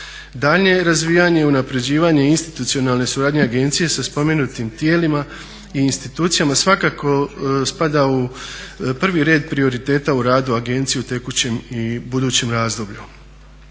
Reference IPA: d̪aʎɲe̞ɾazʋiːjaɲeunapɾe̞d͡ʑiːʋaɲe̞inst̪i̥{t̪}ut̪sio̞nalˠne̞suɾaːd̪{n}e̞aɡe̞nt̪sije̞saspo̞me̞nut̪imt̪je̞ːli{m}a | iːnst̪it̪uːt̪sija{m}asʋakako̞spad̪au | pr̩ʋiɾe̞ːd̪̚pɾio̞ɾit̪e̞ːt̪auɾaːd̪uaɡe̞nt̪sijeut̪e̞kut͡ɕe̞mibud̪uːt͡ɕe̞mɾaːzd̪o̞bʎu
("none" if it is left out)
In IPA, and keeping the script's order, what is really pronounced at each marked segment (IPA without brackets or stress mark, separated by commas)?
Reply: t̪, ɲ, m, m